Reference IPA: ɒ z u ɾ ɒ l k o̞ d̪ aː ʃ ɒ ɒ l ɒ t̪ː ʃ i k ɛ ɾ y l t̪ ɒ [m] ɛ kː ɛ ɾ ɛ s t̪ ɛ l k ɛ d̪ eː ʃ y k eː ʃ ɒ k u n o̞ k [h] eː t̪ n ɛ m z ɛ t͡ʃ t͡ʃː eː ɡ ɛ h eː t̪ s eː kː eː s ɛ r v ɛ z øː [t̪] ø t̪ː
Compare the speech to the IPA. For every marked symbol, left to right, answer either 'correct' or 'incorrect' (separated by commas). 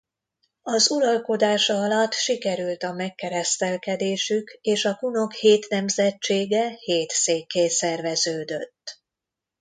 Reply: correct, correct, incorrect